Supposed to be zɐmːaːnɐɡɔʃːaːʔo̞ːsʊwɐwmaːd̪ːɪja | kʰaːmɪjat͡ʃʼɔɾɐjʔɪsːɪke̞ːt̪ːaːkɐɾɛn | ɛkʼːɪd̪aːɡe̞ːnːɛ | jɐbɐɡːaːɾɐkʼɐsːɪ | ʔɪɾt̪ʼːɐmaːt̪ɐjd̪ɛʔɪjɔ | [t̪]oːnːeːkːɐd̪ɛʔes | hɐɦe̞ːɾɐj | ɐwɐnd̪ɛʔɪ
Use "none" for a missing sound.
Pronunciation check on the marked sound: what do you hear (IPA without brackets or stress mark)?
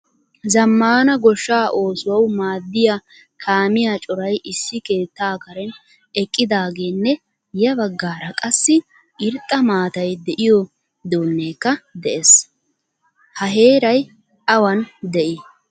d̪